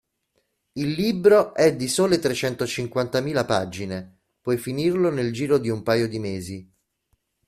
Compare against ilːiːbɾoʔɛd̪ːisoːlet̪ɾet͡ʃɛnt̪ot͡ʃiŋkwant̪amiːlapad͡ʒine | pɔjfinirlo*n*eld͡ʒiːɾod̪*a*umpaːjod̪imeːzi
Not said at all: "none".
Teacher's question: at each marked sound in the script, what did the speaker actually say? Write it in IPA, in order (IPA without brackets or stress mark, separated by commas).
n, i